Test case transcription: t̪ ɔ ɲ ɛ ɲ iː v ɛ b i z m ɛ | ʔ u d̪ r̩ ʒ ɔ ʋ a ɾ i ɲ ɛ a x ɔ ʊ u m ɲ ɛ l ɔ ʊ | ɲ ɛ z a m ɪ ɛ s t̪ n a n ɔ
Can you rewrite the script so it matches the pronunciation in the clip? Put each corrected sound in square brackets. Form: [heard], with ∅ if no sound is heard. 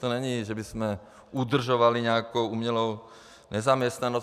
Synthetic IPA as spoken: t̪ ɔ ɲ ɛ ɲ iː [ʒ] ɛ b i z m ɛ | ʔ u d̪ r̩ ʒ ɔ ʋ a [l] i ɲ ɛ a [k] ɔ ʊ u m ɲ ɛ l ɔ ʊ | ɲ ɛ z a m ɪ ɛ s t̪ n a n ɔ